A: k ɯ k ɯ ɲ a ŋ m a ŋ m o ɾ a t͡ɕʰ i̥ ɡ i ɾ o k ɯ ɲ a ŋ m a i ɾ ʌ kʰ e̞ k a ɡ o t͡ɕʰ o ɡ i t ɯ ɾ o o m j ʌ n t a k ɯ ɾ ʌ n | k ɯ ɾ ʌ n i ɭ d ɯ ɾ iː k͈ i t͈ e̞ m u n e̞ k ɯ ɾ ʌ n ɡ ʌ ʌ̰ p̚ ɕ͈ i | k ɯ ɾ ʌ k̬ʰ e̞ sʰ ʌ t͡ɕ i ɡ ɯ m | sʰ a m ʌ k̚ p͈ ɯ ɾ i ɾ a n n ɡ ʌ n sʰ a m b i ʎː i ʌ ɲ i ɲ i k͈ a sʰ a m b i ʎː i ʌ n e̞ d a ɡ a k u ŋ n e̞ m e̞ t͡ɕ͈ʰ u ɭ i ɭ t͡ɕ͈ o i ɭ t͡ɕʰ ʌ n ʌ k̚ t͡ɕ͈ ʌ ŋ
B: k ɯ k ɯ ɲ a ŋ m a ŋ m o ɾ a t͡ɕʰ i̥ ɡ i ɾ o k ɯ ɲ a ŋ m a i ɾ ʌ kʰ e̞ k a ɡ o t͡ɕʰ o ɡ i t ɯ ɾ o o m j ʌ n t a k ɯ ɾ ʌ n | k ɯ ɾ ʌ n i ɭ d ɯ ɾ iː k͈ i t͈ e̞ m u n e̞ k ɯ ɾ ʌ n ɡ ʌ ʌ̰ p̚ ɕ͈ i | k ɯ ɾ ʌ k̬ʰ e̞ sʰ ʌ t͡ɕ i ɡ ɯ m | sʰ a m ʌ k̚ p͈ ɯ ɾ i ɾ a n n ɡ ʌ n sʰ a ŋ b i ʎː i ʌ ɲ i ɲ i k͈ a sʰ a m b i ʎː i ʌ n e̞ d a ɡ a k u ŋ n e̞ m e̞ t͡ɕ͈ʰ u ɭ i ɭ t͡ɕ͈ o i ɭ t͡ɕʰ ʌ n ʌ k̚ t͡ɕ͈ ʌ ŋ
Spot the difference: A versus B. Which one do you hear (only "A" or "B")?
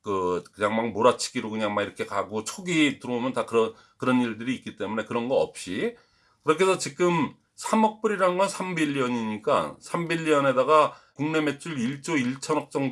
A